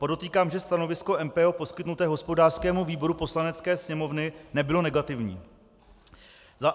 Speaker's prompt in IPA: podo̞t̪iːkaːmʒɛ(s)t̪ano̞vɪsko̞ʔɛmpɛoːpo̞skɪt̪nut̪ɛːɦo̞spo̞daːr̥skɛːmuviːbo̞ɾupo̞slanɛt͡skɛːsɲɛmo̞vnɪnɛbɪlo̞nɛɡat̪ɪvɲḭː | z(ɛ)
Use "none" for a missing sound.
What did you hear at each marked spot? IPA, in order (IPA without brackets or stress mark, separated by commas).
s, a